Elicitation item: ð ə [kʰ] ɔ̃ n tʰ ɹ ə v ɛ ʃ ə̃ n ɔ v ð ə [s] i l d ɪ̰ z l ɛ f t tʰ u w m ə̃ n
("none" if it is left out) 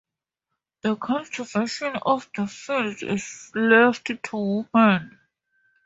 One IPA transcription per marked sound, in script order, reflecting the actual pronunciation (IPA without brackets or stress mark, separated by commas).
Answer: kʰ, f